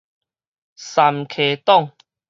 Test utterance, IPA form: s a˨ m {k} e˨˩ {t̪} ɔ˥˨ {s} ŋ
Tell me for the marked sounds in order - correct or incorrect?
incorrect: kʰ, correct, incorrect: none

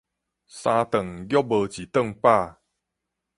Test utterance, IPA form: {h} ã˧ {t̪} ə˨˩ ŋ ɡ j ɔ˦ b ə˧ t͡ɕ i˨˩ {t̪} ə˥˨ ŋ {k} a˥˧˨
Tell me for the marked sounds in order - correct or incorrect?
incorrect: s, correct, correct, incorrect: p

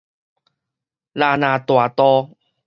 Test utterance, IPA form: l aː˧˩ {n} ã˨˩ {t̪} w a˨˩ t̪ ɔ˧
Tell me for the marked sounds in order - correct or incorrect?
correct, correct

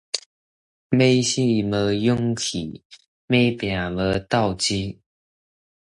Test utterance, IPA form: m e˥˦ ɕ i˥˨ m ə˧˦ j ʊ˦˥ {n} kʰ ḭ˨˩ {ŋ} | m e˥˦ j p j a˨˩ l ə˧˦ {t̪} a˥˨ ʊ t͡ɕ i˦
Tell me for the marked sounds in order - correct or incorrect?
incorrect: ŋ, incorrect: none, correct

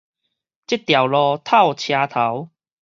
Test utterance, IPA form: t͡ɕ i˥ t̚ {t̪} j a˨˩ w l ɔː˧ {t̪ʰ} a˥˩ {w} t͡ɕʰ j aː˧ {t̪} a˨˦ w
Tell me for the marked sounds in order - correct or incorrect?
correct, correct, correct, incorrect: t̪ʰ

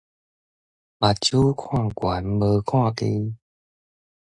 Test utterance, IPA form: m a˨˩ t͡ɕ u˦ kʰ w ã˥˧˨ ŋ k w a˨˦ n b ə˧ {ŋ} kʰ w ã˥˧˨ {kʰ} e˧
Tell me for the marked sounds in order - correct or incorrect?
incorrect: none, incorrect: k

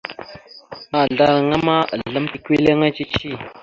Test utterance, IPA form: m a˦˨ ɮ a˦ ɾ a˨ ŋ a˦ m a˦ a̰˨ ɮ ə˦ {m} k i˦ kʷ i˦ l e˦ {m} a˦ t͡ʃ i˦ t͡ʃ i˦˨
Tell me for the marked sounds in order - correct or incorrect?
correct, incorrect: ŋ

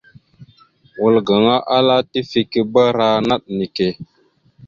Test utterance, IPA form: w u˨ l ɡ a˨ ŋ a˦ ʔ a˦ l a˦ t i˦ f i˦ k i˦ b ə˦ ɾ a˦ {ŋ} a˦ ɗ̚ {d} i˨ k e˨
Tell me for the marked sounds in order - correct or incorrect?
incorrect: n, incorrect: n

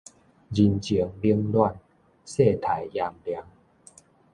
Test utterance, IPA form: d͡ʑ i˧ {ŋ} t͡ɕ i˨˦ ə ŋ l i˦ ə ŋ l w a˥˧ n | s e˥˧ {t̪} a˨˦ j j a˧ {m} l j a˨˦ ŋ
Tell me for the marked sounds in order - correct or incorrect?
incorrect: n, incorrect: t̪ʰ, correct

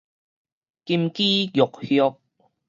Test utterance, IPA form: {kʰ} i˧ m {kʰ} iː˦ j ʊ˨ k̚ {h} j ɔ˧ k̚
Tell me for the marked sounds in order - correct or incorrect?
incorrect: k, incorrect: k, correct

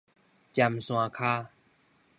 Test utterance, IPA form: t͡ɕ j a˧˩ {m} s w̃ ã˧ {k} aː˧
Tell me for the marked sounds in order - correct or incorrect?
correct, incorrect: kʰ

